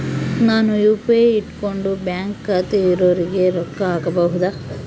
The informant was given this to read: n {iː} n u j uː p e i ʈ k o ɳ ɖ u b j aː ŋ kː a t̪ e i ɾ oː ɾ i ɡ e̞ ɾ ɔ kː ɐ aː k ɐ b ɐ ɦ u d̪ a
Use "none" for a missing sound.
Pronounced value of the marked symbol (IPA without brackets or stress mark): aː